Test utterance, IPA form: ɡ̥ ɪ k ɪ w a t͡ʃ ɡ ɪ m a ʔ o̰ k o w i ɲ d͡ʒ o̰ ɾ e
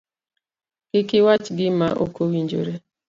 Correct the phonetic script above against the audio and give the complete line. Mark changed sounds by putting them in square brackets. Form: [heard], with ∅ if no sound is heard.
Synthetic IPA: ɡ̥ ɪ k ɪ w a t͡ʃ ɡ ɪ m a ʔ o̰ k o w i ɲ d͡ʒ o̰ ɾ e